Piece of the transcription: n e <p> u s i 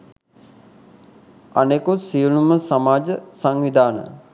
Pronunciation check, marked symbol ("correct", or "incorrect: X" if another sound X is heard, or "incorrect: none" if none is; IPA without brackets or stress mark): incorrect: k